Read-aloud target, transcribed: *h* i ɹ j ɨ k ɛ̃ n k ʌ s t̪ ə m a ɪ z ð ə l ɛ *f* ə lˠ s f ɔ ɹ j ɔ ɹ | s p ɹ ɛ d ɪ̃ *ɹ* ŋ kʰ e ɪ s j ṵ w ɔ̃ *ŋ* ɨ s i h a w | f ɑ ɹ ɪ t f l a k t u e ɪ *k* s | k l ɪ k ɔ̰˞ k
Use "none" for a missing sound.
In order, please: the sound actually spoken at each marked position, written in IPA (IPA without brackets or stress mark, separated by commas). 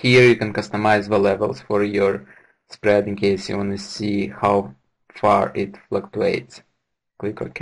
h, v, none, n, t